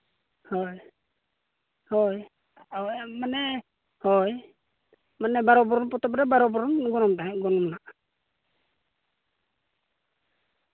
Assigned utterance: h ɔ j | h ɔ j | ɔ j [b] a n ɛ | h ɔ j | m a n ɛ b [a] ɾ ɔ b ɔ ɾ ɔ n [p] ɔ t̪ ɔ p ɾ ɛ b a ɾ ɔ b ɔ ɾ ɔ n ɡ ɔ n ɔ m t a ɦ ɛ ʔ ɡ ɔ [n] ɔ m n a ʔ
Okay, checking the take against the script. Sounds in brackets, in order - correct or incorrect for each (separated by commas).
incorrect, correct, correct, correct